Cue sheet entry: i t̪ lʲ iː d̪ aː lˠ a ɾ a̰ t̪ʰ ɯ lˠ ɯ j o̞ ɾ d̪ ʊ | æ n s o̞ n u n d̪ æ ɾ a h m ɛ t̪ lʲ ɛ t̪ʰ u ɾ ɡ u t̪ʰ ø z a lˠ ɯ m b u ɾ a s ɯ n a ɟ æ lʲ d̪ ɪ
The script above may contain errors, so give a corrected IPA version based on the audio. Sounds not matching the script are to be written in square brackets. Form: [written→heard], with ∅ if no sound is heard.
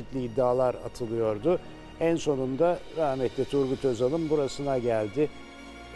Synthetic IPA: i t̪ lʲ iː [d̪→d̪ː] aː lˠ a ɾ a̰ t̪ʰ ɯ lˠ ɯ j o̞ ɾ d̪ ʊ | æ n s o̞ n u n d̪ [æ→a] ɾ a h m ɛ t̪ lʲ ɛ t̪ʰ u ɾ ɡ u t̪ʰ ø z a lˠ ɯ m b u ɾ a s ɯ n a ɟ æ lʲ d̪ ɪ